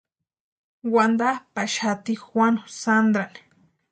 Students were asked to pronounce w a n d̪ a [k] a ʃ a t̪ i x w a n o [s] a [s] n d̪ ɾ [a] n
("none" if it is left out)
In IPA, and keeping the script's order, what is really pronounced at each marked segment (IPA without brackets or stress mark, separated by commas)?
p, s, none, a